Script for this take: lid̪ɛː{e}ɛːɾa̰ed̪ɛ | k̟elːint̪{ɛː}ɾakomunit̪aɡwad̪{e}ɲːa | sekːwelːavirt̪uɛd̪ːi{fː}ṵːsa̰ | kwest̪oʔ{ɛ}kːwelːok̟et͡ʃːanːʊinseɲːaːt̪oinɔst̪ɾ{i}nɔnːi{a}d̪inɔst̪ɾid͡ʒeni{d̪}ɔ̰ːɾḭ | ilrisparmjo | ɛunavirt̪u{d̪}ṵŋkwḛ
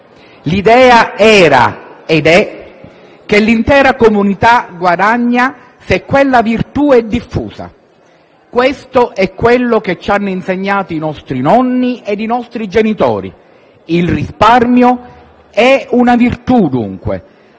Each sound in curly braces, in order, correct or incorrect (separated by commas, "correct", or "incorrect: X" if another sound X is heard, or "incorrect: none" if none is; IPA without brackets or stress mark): incorrect: a, correct, incorrect: a, correct, correct, correct, incorrect: e, incorrect: t̪, correct